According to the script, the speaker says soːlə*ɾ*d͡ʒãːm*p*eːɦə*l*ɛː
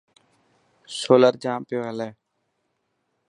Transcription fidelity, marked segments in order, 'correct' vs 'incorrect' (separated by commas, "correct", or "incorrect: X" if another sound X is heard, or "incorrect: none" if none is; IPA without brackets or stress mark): correct, correct, correct